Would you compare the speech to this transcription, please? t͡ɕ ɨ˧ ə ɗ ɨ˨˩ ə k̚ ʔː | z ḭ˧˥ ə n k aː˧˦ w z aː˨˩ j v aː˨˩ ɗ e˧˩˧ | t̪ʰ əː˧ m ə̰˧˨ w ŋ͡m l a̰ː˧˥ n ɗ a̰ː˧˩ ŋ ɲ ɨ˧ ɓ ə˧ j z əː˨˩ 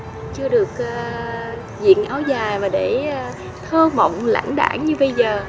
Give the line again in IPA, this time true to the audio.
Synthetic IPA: t͡ɕ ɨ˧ ə ɗ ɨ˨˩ ə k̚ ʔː | z ḭ˧˨ ə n ʔ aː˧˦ w z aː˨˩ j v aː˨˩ ɗ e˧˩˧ | t̪ʰ əː˧ m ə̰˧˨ w ŋ͡m l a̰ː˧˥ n ɗ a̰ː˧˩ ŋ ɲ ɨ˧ ɓ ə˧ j z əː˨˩